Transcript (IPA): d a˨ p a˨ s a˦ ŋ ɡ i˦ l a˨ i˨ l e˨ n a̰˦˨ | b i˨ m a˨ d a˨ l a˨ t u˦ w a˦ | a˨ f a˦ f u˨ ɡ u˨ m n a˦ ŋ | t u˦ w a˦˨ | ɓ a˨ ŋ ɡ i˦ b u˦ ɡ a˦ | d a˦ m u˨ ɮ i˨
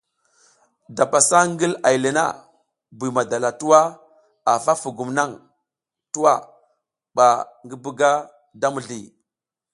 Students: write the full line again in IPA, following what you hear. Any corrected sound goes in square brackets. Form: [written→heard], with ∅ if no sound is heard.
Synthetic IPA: d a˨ p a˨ s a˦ ŋ ɡ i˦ l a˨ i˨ l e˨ n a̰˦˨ | b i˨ m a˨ d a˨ l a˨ t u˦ w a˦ | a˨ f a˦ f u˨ ɡ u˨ m n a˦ ŋ | t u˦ w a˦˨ | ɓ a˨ ŋ ɡ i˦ b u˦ ɡ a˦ | d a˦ m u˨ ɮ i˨